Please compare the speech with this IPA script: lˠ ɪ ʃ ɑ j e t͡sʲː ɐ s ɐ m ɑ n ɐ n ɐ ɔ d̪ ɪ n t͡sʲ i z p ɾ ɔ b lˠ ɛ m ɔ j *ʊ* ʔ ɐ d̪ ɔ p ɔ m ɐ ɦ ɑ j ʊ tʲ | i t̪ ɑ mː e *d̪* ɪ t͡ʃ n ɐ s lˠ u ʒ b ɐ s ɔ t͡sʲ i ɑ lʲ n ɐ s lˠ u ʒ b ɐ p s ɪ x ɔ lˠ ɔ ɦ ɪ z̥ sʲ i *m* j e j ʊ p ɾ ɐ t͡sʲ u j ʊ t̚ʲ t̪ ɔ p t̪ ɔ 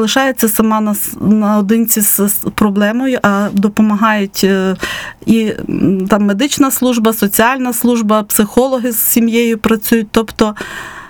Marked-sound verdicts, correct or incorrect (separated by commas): correct, correct, correct